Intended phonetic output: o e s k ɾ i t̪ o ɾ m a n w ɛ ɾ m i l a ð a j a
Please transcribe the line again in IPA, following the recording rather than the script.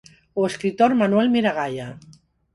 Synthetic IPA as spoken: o e s k ɾ i t̪ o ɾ m a n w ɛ l m i ɾ a ɣ a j a